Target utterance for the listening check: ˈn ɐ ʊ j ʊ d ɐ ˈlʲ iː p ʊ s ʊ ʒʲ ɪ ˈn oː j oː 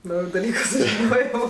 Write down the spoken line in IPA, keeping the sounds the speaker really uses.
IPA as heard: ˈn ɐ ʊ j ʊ d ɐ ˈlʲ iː k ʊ s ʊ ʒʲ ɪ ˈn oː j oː